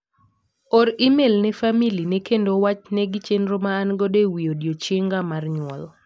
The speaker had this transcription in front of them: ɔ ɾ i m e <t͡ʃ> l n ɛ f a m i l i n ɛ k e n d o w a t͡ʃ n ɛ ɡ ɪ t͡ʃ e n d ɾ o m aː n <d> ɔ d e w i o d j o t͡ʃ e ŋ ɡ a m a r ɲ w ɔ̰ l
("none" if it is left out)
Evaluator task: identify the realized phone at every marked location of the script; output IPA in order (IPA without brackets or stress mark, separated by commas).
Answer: none, ɡ